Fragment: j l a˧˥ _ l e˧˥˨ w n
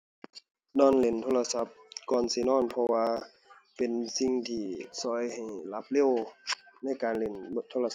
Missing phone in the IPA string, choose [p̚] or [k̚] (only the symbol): p̚